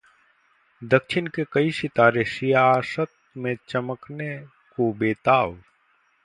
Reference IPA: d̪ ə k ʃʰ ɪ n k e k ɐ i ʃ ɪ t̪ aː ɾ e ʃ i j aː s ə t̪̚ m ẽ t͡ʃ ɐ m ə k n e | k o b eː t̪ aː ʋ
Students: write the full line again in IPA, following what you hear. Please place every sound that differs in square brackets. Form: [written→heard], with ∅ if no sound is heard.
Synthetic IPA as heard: d̪ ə k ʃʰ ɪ n k e k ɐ i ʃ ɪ t̪ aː ɾ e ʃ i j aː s ə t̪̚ m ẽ t͡ʃ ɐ m ə k n e | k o b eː t̪ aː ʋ